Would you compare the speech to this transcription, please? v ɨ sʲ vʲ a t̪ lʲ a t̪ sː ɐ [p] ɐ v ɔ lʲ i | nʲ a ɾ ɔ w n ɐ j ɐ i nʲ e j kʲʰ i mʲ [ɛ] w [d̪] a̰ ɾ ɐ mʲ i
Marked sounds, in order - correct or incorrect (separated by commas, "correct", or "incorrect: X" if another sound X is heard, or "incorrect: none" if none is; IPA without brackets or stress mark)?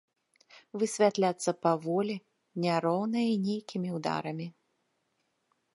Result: correct, incorrect: i, correct